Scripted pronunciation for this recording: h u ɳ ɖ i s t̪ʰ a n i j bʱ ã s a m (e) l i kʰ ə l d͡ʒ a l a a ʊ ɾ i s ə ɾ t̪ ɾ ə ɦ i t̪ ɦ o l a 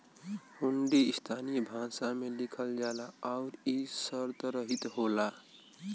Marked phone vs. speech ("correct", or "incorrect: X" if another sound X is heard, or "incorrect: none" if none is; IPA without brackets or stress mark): correct